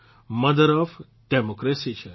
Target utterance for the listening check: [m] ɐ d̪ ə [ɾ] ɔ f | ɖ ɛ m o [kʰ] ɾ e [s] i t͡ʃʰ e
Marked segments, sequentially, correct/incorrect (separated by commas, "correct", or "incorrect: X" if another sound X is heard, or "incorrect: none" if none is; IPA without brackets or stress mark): correct, correct, incorrect: k, correct